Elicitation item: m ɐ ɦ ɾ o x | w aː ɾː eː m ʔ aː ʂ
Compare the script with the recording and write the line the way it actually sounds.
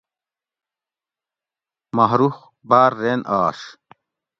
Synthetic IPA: m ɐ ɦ ɾ u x | b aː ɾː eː n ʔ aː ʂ